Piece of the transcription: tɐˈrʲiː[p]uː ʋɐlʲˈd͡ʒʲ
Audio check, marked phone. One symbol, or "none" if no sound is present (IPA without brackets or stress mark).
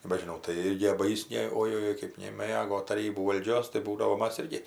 b